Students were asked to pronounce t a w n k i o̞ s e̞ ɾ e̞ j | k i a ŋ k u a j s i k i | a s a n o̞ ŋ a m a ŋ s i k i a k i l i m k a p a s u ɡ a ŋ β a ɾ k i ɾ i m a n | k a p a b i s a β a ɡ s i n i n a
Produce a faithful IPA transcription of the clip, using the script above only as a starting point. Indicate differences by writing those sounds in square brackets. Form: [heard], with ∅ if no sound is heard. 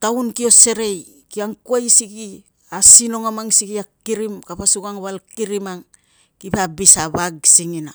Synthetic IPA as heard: t a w n k i o̞ s e̞ ɾ e̞ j | k i a ŋ k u a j s i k i | a s [i] n o̞ ŋ a m a ŋ s i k i a k i [ɾ] i m k a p a s u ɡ a ŋ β a [l] k i ɾ i m a [ŋ] | k [i] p a b i s a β a ɡ s i [ŋ] i n a